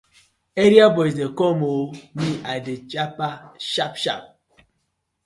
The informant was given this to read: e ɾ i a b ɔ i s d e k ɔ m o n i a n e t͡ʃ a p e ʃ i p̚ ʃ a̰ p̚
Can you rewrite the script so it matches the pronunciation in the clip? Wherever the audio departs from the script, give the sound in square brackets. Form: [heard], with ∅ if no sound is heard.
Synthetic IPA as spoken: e ɾ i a b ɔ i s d e k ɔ m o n i a [d] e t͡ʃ a p [a] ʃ [a] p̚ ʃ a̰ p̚